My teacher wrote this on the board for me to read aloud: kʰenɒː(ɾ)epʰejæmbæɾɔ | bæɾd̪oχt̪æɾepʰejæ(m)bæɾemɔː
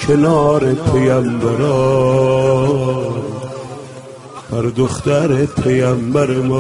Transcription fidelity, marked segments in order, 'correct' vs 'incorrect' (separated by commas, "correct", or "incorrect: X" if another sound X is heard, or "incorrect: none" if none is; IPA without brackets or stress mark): correct, correct